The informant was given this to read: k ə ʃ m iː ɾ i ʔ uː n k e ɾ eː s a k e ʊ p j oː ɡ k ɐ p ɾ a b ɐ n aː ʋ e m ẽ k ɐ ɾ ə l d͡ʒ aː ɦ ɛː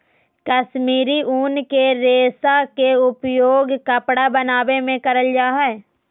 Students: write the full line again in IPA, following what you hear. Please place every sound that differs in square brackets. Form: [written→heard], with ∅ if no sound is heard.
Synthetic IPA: k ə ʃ m iː ɾ i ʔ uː n k e ɾ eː s a k e ʊ p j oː ɡ k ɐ p [ɾ→ɽ] a b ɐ n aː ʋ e m ẽ k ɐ ɾ ə l d͡ʒ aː ɦ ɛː